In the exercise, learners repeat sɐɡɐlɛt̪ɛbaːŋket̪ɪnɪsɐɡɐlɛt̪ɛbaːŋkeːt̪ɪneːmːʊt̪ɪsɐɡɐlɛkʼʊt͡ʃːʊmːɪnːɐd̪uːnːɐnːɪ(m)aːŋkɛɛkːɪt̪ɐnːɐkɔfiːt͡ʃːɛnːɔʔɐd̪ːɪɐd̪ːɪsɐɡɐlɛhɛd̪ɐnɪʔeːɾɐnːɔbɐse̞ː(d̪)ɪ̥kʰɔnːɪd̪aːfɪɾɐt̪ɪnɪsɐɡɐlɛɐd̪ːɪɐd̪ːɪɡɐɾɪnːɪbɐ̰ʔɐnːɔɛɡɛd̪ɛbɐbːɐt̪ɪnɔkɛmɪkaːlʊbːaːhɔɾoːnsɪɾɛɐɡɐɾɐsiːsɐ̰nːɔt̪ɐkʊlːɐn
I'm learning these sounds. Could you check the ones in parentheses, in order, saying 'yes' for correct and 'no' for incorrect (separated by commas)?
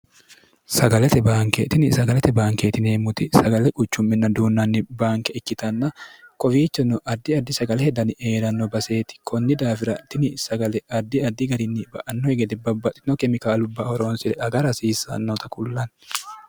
no, no